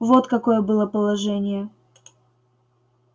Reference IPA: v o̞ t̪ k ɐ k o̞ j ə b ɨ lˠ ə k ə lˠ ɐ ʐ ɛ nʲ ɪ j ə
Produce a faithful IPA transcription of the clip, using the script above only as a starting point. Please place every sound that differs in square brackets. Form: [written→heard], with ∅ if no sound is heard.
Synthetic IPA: v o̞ t̪ k ɐ k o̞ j ə b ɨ lˠ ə [k→p] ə lˠ ɐ ʐ ɛ nʲ ɪ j ə